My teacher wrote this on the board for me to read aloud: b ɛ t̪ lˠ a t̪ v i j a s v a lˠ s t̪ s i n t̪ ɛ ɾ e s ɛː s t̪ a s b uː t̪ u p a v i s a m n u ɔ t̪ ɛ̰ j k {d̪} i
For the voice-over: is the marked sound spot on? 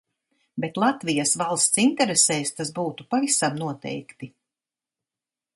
no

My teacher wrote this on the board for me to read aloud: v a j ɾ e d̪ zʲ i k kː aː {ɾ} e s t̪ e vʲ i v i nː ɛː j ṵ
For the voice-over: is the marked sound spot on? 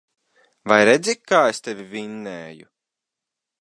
no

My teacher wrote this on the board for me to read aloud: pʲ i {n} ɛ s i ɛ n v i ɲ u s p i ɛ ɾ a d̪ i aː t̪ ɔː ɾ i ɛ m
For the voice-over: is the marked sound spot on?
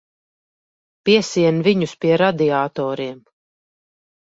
no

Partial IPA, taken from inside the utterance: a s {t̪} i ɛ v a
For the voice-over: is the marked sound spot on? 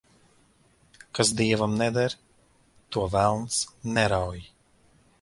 no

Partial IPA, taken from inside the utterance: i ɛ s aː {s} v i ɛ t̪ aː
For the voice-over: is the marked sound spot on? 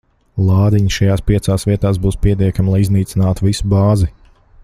yes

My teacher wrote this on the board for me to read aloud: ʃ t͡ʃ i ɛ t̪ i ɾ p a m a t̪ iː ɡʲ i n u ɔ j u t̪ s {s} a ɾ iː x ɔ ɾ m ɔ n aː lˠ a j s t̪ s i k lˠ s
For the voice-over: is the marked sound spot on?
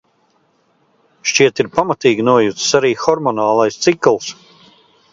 yes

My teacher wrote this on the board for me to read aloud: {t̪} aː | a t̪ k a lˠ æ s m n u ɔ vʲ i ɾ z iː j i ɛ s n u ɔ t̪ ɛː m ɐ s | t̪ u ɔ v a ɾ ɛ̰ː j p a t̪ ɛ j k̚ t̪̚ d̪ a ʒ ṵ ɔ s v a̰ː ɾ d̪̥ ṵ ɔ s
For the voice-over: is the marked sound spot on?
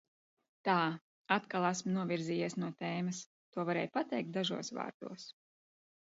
yes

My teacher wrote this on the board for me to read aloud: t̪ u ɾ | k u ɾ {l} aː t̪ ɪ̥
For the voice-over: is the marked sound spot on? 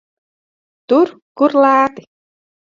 yes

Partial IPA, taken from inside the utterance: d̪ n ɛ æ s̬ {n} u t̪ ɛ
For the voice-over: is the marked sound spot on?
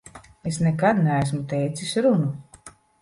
no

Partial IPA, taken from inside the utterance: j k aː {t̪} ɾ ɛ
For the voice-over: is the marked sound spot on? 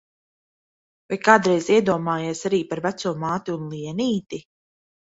no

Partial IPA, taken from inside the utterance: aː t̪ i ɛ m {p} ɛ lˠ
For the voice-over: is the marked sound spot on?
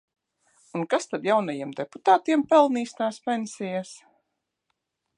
yes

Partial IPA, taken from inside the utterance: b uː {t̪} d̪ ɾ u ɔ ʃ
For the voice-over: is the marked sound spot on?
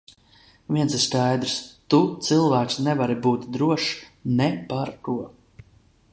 yes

